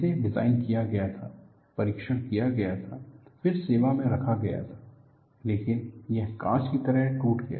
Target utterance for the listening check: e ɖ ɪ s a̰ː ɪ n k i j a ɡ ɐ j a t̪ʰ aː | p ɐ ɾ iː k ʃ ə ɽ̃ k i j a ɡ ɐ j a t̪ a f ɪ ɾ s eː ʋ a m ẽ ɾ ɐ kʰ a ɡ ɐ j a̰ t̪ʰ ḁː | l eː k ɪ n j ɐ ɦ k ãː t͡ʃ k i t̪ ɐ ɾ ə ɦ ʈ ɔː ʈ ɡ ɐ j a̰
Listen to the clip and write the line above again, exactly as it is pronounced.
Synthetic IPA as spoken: e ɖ ɪ z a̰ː ɪ n k i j a ɡ ɐ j a t̪ʰ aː | p ɐ ɾ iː k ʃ ə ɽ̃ k i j a ɡ ɐ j a t̪ʰ a f ɪ ɾ s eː ʋ a m ẽ ɾ ɐ kʰ a ɡ ɐ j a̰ t̪ʰ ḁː | l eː k ɪ n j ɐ ɦ k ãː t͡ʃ k i t̪ ɐ ɾ ə ɦ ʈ uː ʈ ɡ ɐ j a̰